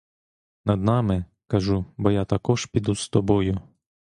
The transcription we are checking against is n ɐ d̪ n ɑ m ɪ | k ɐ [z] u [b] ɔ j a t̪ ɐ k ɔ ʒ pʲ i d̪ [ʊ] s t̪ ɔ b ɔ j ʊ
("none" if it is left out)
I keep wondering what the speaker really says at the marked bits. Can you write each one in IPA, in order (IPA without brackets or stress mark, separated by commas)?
ʒ, b, u